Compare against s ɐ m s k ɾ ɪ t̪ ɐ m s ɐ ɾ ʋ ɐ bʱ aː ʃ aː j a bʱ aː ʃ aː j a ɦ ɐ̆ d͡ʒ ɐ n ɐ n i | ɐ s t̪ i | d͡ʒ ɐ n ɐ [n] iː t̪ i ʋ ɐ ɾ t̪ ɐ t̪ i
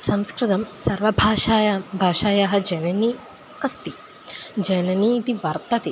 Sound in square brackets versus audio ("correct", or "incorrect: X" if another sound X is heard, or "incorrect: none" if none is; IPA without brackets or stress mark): correct